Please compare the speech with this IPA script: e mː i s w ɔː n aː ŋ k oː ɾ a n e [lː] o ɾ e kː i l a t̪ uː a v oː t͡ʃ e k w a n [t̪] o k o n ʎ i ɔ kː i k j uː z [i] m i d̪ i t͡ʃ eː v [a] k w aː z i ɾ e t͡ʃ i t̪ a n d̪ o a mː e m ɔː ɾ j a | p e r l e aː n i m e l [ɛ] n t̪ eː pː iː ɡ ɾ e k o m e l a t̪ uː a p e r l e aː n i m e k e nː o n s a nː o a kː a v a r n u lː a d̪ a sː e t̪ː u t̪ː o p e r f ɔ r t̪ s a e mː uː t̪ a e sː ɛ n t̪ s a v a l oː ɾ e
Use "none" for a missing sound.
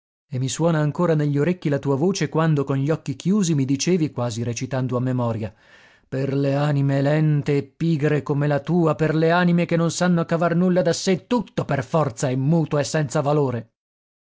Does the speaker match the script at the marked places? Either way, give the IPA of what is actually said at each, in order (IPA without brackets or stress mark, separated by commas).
ʎː, d̪, i, i, ɛ